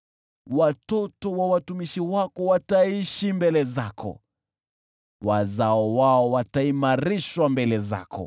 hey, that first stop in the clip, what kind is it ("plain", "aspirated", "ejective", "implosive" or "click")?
plain